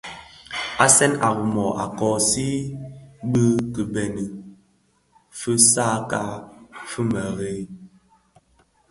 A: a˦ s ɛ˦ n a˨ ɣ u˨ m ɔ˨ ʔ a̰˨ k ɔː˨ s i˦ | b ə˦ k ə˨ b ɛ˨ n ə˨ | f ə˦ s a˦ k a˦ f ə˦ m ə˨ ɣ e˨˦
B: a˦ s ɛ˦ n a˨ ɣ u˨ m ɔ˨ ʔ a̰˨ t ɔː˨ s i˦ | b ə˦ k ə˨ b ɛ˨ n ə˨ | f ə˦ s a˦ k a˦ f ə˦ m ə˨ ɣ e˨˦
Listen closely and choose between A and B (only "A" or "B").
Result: A